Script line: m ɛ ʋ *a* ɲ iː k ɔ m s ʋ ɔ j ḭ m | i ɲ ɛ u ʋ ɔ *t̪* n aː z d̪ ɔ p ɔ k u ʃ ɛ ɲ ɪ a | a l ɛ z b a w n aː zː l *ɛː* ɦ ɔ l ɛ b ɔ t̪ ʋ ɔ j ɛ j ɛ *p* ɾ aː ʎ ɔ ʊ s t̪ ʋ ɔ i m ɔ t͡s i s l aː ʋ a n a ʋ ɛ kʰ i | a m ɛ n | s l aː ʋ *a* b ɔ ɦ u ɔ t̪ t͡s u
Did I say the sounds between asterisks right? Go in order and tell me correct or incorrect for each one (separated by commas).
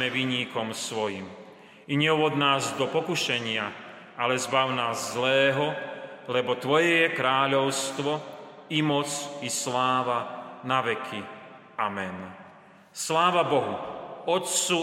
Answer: incorrect, incorrect, correct, incorrect, correct